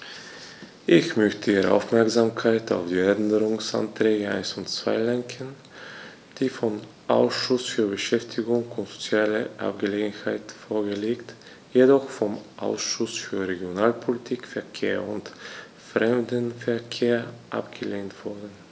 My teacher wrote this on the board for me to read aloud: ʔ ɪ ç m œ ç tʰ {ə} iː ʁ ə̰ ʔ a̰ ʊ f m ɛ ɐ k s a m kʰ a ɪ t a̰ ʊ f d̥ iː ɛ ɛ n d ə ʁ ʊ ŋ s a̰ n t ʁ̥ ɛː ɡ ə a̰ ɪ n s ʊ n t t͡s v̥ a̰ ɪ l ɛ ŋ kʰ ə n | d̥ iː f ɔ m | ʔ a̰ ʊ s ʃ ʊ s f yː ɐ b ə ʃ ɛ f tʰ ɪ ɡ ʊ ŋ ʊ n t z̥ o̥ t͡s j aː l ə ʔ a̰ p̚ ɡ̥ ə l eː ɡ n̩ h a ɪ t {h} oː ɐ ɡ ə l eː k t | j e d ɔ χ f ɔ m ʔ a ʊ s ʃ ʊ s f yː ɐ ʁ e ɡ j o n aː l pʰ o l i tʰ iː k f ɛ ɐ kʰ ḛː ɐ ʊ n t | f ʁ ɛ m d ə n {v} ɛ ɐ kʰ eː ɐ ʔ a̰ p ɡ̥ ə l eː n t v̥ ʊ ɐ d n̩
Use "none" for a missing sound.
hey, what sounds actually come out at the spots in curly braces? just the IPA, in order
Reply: ə, f, f

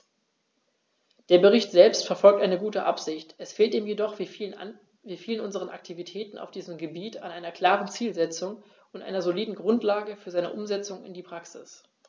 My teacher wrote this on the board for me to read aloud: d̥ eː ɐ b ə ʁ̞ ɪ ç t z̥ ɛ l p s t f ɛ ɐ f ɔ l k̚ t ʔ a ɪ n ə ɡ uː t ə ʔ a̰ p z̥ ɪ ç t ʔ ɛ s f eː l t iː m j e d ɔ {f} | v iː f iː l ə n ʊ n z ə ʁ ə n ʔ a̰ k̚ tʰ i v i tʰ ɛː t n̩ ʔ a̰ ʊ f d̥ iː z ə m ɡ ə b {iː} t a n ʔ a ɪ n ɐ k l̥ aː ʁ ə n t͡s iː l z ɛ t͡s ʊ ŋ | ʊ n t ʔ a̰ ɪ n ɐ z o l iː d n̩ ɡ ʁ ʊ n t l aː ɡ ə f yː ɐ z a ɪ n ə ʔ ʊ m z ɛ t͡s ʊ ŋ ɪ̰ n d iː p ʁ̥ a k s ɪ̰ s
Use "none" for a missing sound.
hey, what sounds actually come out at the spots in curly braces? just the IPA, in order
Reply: χ, iː

